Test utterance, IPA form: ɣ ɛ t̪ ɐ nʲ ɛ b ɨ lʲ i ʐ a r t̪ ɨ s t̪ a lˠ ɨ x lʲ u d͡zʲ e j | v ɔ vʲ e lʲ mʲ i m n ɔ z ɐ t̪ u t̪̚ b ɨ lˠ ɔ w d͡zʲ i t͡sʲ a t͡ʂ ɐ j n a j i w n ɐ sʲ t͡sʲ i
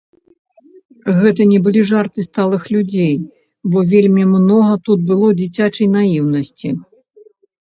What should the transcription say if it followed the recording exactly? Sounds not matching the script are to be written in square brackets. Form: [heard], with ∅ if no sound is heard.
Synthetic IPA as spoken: ɣ ɛ t̪ ɐ nʲ ɛ b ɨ lʲ i ʐ a r t̪ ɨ s t̪ a lˠ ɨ x lʲ u d͡zʲ e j | [b] ɔ vʲ e lʲ mʲ i m n ɔ [ɣ] ɐ t̪ u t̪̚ b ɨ lˠ ɔ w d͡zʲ i t͡sʲ a t͡ʂ ɐ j n a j i w n ɐ sʲ t͡sʲ i